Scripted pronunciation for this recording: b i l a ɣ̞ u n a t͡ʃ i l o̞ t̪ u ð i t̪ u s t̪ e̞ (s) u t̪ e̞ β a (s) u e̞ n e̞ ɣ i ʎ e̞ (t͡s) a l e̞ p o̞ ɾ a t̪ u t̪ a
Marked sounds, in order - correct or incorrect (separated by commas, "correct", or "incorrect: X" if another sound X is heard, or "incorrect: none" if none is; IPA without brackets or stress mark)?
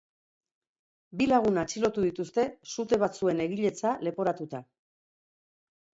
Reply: correct, incorrect: t͡s, correct